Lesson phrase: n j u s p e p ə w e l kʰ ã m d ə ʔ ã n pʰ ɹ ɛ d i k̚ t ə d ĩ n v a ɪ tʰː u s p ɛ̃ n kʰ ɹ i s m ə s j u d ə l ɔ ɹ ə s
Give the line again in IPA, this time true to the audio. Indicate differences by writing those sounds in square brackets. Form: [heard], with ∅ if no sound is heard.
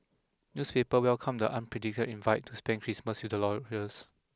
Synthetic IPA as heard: n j u s p e p ə w [ɛ] l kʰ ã m d ə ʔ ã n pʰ ɹ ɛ d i k̚ t ə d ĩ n v a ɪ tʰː u s p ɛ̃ n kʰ ɹ i s m ə s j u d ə l ɔ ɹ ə s